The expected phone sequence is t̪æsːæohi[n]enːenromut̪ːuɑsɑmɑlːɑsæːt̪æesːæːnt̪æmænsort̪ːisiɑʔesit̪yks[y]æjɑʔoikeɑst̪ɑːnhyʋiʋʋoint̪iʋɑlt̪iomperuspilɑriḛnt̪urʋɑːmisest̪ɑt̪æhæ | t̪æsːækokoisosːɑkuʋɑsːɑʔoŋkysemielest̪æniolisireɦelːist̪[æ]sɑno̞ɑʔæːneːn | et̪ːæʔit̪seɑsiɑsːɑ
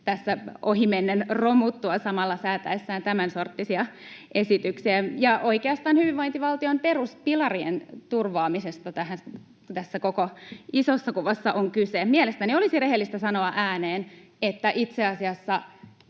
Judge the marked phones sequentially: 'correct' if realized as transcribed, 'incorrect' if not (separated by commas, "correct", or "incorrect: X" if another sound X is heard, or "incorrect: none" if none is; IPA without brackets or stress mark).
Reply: incorrect: m, incorrect: i, correct